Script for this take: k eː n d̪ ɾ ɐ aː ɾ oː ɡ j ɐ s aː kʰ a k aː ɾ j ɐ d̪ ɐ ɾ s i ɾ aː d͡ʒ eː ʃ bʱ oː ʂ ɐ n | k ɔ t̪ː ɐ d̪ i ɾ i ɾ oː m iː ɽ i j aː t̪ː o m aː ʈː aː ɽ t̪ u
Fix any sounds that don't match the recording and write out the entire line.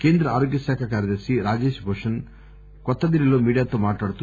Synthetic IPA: k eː n d̪ ɾ ɐ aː ɾ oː ɡ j ɐ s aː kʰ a k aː ɾ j ɐ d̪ ɐ ɾ s i ɾ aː d͡ʒ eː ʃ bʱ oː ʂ ɐ n | k ɔ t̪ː ɐ d̪ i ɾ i l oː m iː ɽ i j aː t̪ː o m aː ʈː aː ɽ t̪ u